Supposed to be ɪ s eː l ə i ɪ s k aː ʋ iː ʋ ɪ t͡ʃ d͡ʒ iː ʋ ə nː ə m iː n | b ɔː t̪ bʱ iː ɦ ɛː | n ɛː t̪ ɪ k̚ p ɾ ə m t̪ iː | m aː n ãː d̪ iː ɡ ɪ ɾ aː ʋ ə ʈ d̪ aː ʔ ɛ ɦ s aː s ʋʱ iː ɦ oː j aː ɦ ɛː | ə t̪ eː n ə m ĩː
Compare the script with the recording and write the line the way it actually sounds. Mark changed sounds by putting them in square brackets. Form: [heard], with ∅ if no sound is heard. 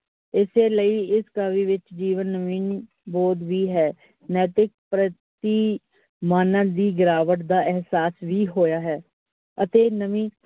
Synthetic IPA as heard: ɪ s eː l ə i ɪ s k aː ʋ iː ʋ ɪ t͡ʃ d͡ʒ iː ʋ ə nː ə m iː n | b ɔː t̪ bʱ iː ɦ ɛː | n ɛː t̪ ɪ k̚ p ɾ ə [∅] t̪ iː | m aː n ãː d̪ iː ɡ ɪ ɾ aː ʋ ə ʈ d̪ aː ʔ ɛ ɦ s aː s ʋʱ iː ɦ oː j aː ɦ ɛː | ə t̪ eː n ə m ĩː